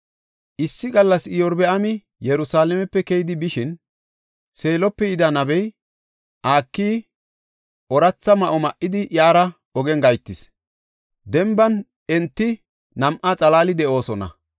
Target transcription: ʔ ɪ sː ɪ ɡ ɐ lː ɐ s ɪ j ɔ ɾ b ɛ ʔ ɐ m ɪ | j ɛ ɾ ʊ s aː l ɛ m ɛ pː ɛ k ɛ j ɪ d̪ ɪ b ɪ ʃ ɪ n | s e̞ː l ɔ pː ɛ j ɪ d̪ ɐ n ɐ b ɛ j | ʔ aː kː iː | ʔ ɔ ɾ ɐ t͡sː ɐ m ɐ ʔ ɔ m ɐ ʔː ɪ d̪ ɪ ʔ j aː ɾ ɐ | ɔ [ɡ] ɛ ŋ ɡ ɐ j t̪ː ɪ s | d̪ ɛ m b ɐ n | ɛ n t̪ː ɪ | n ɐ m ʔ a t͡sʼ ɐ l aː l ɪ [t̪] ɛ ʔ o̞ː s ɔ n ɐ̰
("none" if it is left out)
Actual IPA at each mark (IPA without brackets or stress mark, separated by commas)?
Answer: ɡ, d̪